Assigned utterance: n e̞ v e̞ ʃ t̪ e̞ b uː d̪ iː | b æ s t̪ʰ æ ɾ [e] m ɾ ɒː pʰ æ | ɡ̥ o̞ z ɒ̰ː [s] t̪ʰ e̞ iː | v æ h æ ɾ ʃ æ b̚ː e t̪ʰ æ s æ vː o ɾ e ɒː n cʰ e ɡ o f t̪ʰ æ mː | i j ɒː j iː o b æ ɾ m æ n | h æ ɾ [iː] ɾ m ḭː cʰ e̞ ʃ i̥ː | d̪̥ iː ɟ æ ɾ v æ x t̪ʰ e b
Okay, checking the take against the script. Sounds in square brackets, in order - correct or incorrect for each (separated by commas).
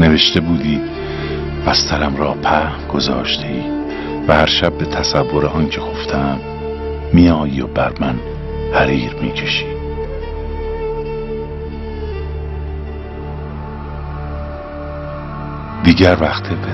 incorrect, incorrect, correct